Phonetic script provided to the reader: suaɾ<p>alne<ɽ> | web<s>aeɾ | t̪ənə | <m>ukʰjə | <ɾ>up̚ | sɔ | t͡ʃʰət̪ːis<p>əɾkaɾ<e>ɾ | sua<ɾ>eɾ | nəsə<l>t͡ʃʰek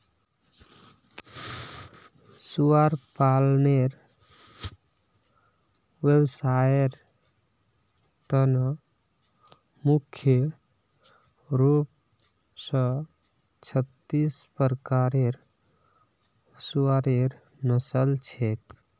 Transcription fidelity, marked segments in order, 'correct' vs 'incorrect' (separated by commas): correct, incorrect, correct, correct, correct, correct, correct, correct, correct